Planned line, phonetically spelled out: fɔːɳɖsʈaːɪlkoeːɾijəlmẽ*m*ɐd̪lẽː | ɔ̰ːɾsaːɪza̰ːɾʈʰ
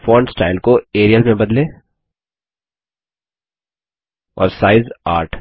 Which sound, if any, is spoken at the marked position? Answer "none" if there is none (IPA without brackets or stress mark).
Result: b